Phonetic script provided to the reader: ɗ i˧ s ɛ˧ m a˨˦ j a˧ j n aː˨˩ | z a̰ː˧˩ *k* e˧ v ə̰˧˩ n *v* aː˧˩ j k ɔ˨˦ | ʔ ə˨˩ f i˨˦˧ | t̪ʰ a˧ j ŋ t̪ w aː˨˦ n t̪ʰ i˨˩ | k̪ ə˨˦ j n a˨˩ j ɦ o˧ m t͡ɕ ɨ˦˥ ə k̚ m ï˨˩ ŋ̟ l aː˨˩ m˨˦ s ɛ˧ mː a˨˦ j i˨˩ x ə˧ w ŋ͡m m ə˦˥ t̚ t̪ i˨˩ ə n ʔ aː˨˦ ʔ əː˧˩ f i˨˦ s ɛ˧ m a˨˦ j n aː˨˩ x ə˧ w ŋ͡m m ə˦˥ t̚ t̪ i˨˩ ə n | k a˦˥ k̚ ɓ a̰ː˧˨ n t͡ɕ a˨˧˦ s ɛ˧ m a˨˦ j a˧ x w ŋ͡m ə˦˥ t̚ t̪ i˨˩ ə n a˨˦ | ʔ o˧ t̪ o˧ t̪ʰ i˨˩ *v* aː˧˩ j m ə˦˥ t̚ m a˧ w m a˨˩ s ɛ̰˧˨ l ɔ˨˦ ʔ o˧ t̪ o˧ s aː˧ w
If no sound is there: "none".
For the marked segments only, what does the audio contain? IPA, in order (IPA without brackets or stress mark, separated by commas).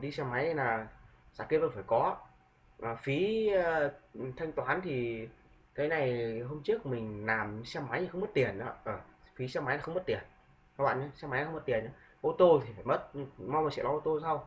k, f, f